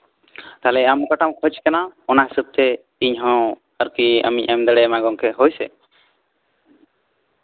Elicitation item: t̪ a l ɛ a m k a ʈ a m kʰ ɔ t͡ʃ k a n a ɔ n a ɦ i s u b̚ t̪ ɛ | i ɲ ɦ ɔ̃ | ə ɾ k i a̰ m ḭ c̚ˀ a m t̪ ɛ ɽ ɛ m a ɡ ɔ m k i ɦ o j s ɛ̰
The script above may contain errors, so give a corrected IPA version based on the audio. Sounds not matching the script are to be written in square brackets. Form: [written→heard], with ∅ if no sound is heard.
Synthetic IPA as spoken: t̪ a l ɛ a m k a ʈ a m kʰ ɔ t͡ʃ k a n a ɔ n a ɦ i s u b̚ t̪ ɛ | i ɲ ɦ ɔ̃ | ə ɾ k i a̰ m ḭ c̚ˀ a m [t̪→d̪] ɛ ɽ ɛ m a ɡ ɔ [m→ŋ] k [i→ɛ] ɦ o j s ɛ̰